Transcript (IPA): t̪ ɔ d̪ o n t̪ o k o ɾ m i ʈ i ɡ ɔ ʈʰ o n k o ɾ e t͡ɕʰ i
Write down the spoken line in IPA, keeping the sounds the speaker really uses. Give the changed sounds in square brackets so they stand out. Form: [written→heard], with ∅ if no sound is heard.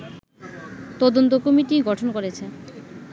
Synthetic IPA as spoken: t̪ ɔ d̪ o n t̪ o k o [ɾ→∅] m i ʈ i ɡ ɔ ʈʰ o n k o ɾ e t͡ɕʰ [i→e]